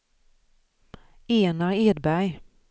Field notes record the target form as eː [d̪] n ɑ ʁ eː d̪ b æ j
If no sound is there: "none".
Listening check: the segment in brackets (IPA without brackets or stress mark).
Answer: none